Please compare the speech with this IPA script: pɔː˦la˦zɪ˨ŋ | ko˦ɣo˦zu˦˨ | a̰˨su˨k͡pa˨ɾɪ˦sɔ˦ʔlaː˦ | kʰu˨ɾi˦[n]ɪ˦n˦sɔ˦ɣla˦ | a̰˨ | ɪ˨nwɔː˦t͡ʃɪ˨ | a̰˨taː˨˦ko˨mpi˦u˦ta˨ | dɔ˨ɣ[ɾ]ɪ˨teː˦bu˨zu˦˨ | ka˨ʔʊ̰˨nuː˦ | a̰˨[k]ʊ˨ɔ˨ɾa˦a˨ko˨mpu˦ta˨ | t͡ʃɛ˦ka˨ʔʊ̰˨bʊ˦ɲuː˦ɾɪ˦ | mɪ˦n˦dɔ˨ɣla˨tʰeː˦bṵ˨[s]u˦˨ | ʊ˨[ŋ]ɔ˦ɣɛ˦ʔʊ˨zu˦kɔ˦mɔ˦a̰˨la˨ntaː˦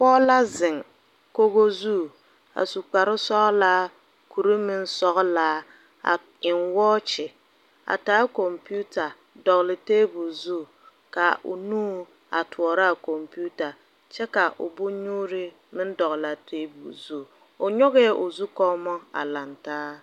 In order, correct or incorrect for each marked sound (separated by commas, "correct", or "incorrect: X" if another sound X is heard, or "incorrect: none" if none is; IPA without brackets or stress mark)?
incorrect: m, incorrect: l, incorrect: t, incorrect: z, incorrect: ɲ